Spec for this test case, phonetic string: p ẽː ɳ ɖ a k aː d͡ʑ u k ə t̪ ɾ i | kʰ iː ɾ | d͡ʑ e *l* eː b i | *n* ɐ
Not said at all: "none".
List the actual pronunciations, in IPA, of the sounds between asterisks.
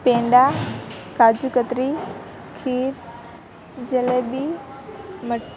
l, m

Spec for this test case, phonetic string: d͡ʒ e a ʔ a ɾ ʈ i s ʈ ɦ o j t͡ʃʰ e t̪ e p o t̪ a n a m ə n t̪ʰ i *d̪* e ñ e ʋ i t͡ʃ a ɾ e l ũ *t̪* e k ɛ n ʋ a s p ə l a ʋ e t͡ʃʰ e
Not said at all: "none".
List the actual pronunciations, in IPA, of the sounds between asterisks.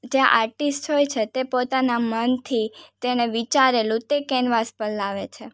t̪, t̪

